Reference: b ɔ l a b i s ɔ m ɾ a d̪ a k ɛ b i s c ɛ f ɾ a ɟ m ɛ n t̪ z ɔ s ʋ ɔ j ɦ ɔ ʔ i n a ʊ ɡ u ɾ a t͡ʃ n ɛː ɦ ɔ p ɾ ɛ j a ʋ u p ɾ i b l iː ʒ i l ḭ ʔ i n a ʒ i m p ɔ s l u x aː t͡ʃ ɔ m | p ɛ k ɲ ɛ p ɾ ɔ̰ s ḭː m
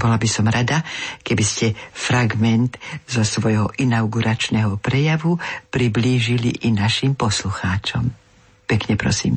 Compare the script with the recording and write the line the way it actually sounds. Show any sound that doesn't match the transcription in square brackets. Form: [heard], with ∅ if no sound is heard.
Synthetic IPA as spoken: b ɔ l a b i s ɔ m ɾ a d̪ a k ɛ b i s c ɛ f ɾ a [ɡ] m ɛ n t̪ z ɔ s ʋ ɔ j ɦ ɔ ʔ i n a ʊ ɡ u ɾ a t͡ʃ n [ɛ] ɦ ɔ p ɾ ɛ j a ʋ u p ɾ i b l iː ʒ i l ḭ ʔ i n a [ʃ] i m p ɔ s l u x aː t͡ʃ ɔ m | p ɛ k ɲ ɛ p ɾ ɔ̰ s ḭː m